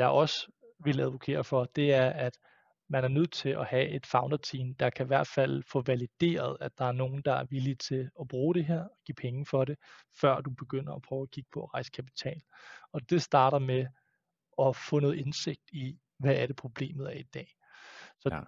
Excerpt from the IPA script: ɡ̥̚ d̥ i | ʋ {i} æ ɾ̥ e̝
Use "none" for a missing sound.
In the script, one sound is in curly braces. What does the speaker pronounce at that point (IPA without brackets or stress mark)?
æ